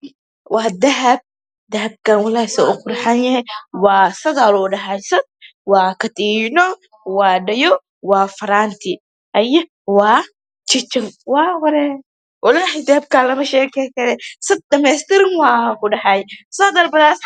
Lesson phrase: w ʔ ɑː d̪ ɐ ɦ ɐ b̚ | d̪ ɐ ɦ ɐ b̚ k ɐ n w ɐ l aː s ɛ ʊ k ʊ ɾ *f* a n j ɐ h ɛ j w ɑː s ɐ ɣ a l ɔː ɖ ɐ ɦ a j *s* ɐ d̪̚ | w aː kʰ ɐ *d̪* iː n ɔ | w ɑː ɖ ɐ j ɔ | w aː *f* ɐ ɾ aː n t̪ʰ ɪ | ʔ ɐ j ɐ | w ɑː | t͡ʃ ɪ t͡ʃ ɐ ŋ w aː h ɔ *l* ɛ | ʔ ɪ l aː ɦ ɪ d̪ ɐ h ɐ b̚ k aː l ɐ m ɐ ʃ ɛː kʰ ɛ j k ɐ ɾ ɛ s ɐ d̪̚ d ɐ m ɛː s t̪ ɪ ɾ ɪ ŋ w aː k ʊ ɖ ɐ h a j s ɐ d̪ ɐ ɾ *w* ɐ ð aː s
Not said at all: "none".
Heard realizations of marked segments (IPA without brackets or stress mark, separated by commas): ħ, s, t̪, f, ɾ, b